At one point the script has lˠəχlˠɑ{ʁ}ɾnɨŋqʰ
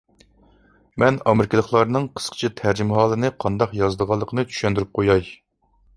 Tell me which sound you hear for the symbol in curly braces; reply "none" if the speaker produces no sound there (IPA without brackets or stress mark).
none